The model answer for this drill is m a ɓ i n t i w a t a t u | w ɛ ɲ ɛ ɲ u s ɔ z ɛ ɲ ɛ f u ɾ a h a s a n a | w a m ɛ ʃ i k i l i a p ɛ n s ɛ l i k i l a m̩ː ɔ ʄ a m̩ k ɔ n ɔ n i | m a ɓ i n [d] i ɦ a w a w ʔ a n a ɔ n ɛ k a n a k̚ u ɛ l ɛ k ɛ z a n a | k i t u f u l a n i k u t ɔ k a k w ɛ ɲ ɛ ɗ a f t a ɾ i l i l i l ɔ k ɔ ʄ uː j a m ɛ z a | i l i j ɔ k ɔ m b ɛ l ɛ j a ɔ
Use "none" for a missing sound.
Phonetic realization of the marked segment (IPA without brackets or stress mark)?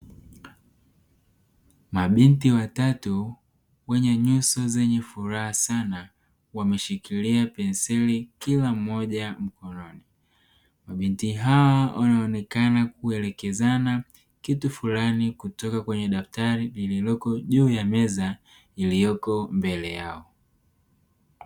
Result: t